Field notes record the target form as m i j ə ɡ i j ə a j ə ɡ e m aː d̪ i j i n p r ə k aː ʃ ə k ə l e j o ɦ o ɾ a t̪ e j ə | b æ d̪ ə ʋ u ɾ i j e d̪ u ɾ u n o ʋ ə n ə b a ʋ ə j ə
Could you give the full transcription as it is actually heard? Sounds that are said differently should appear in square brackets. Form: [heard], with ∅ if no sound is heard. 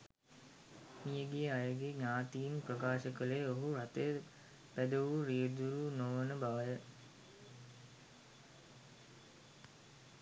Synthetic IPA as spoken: m i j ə ɡ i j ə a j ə ɡ e [ɲ] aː [t̪] i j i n p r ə k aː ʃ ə k ə l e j o ɦ [u] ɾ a t̪ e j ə | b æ d̪ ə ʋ u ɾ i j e d̪ u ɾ u n o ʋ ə n ə b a ʋ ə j ə